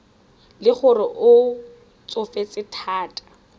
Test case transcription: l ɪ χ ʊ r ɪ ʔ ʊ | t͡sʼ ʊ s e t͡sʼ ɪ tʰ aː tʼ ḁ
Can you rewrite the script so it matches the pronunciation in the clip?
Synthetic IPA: l ɪ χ ʊ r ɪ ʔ ʊ | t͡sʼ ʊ f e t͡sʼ ɪ tʰ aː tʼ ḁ